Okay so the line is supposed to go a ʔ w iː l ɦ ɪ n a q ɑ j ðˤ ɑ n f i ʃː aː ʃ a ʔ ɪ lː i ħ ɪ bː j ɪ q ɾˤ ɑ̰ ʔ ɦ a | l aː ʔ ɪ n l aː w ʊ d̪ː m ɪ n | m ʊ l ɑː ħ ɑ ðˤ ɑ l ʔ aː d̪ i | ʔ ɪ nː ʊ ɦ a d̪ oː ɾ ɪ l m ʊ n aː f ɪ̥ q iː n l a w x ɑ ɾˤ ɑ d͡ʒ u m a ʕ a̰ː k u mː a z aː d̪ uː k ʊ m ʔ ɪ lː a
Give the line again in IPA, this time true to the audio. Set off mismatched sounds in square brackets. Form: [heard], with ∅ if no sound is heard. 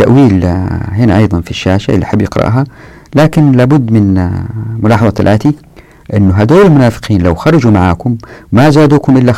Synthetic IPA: a ʔ w iː l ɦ ɪ n a [ʔ] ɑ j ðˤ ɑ n f i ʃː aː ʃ a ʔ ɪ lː i ħ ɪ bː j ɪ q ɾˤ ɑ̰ ʔ ɦ a | l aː [k] ɪ n l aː [b] ʊ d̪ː m ɪ n | m ʊ l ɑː ħ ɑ ðˤ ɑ l ʔ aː [t̪] i | ʔ ɪ nː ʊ ɦ a d̪ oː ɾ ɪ l m ʊ n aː f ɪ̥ q iː n l a w x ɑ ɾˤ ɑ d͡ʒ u m a ʕ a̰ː k [ʊ] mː a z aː d̪ uː k ʊ m ʔ ɪ lː a